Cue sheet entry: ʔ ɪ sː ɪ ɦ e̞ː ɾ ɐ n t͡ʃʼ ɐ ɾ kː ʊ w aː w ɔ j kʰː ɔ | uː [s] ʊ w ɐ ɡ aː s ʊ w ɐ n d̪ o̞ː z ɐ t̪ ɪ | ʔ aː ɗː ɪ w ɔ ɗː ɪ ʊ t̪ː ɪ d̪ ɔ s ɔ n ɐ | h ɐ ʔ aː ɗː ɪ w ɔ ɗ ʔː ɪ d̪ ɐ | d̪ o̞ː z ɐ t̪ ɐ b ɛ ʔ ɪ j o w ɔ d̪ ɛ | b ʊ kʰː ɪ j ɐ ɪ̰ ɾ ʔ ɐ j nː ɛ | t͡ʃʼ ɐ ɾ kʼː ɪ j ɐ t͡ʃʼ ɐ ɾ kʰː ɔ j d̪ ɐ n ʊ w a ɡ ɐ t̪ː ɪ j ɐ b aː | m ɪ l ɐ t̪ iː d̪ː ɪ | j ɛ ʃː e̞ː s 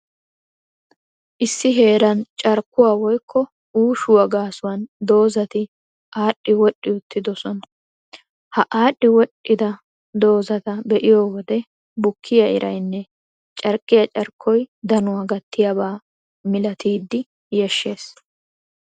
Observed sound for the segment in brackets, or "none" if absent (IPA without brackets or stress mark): ʃ